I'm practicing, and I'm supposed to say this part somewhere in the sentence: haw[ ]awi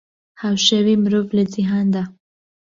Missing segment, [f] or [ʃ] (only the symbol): ʃ